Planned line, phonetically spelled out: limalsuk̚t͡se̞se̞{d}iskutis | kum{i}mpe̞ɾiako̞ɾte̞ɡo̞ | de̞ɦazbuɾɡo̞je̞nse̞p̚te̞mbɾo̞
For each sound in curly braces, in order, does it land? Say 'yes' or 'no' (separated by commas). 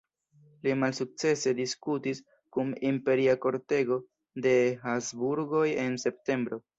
yes, yes